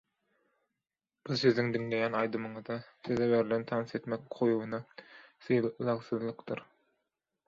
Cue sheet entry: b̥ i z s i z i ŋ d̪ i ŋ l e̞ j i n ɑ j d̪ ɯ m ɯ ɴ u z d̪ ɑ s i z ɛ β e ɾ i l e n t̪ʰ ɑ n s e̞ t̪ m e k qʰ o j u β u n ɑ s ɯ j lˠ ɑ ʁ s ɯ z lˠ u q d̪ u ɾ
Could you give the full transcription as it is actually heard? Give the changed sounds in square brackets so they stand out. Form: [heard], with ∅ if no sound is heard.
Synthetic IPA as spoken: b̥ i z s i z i ŋ d̪ i ŋ l e̞ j [æ] n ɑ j d̪ ɯ m ɯ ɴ [ɯ] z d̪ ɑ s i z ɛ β e ɾ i l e n t̪ʰ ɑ n s e̞ t̪ m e k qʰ o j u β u n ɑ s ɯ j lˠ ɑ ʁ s ɯ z lˠ [ɯ] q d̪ [ɯ] ɾ